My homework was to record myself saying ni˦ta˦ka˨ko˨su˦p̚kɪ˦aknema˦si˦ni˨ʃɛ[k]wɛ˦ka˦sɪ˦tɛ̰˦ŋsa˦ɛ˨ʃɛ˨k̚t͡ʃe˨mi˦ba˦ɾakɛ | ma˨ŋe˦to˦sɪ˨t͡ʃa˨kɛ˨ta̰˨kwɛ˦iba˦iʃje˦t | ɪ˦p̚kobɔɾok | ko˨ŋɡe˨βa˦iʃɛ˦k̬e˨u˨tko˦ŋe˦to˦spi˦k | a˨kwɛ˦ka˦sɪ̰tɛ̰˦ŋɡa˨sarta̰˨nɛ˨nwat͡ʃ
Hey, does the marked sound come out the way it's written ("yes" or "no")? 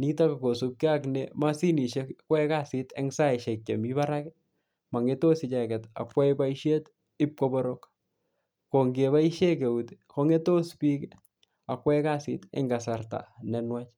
yes